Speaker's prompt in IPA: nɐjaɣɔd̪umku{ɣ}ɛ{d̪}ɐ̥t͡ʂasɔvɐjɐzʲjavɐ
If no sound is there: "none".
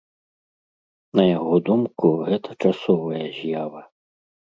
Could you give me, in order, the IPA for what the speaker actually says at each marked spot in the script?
ɣ, t̪

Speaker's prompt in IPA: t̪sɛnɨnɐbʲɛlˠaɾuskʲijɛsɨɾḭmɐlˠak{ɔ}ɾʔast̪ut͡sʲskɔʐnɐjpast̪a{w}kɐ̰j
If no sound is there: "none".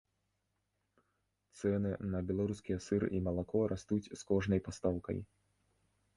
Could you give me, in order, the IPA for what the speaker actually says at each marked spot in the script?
ɔ, w

